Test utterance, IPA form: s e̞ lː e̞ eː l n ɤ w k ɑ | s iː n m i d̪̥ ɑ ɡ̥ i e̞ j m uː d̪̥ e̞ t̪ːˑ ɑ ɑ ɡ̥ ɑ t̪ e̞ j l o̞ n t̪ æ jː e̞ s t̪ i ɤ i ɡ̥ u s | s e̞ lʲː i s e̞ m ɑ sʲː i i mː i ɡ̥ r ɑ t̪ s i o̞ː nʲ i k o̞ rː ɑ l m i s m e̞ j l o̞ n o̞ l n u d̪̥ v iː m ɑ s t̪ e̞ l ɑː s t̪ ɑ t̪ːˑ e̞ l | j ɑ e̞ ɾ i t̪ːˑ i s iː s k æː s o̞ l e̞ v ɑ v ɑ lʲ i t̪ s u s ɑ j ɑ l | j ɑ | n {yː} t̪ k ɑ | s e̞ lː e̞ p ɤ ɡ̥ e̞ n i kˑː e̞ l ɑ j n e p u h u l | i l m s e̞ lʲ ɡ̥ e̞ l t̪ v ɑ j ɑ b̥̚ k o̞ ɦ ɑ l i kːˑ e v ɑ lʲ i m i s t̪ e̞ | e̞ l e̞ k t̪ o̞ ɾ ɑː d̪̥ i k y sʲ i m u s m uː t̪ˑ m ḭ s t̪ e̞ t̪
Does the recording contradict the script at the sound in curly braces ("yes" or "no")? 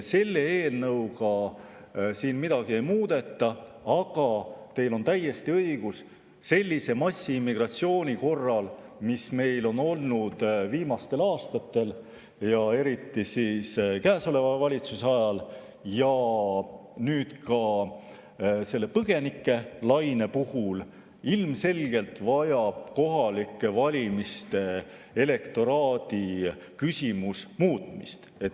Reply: no